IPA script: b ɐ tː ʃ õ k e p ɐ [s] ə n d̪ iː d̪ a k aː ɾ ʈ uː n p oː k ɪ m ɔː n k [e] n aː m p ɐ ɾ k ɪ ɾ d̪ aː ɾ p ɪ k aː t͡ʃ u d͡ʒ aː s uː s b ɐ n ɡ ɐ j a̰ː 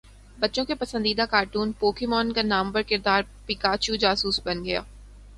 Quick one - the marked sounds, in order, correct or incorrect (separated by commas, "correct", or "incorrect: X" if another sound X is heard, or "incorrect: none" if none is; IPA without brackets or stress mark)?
correct, incorrect: a